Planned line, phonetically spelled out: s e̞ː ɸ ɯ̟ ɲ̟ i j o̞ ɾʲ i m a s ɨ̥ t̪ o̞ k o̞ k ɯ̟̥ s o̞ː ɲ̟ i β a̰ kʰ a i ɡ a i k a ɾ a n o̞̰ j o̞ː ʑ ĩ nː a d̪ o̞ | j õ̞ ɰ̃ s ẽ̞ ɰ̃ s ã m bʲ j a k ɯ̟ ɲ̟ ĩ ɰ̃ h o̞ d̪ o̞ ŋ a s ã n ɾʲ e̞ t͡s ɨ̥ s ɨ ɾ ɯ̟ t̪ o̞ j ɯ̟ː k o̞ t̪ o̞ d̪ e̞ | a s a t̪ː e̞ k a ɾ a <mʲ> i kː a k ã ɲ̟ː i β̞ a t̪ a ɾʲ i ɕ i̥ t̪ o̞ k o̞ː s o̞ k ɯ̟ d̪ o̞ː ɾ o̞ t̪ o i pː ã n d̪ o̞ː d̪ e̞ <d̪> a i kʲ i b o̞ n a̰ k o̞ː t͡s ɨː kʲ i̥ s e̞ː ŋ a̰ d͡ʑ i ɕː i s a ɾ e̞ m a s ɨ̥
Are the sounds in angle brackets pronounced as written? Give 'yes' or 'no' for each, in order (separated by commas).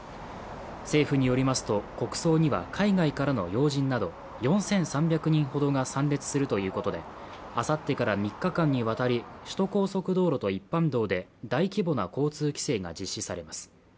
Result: yes, yes